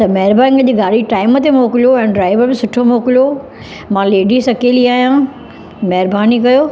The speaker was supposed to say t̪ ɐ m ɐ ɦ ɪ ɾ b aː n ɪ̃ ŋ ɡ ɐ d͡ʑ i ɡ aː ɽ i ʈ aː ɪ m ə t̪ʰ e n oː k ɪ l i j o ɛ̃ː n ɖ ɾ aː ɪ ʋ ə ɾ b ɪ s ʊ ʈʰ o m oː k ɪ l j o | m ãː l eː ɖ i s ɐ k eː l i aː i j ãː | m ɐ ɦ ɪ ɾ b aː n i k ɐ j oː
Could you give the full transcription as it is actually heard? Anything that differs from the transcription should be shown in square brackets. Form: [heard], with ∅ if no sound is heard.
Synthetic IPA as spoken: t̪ ɐ m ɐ ɦ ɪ ɾ b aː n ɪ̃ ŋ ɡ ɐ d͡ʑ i ɡ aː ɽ i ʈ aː ɪ m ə [t̪] e [m] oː k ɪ l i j o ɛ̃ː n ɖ ɾ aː ɪ ʋ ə ɾ b ɪ s ʊ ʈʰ o m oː k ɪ l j o | m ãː l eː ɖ i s ɐ k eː l i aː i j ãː | m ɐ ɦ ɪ ɾ b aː n i k ɐ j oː